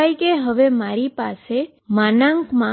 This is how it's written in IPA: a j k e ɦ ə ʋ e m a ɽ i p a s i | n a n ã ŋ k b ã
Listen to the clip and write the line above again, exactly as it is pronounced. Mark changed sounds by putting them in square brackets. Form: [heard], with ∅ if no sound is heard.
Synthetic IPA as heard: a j k e ɦ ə ʋ e m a [ɾ] i p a s [e] | [m] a n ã ŋ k [m] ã